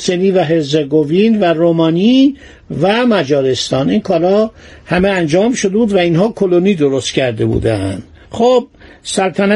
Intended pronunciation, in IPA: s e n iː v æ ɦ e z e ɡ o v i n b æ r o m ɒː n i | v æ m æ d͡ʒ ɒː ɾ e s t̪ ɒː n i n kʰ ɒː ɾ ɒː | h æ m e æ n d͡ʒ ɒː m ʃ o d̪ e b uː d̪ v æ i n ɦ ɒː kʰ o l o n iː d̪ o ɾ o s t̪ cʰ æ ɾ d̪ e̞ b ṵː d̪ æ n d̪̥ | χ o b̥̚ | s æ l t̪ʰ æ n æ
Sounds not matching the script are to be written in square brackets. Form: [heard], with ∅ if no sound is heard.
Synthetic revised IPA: s e n iː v æ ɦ e z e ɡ o v i n [v] æ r o m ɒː n i | v æ m æ d͡ʒ ɒː ɾ e s t̪ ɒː n i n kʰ ɒː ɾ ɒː | h æ m e æ n d͡ʒ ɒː m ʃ o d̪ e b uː d̪ v æ i n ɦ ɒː kʰ o l o n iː d̪ o ɾ o s t̪ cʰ æ ɾ d̪ e̞ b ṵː d̪ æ n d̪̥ | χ o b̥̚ | s æ l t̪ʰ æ n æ